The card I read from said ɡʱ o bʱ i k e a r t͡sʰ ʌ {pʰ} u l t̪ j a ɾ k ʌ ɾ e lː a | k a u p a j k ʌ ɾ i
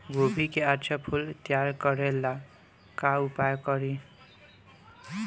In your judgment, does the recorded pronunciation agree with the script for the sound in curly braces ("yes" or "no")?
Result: yes